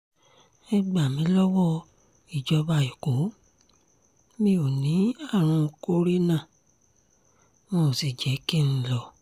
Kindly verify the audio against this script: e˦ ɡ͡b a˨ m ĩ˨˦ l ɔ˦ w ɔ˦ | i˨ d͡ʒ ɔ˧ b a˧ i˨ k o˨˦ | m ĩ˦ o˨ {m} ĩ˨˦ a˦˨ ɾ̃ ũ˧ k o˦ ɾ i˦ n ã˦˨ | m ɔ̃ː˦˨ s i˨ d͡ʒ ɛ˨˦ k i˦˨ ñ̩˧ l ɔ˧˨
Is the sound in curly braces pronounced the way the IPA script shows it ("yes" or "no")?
no